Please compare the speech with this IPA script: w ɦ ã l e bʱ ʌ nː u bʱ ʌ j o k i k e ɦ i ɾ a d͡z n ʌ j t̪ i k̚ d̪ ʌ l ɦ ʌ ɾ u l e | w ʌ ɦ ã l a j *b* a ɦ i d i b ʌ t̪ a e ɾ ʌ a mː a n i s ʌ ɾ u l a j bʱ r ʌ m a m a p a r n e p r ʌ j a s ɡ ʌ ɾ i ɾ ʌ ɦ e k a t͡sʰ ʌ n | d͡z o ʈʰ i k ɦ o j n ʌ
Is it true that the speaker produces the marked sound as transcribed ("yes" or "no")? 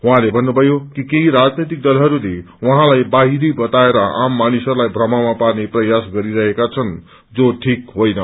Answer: yes